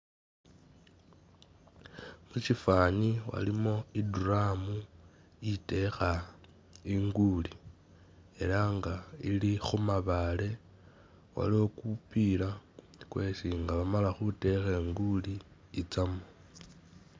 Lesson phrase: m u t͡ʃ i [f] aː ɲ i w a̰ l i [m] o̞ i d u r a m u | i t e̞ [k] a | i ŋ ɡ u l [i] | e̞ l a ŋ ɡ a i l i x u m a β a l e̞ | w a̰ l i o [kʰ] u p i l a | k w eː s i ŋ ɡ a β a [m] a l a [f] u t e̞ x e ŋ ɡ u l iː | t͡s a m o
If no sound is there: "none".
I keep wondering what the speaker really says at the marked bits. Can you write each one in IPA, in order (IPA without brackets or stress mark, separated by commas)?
f, m, x, i, k, m, x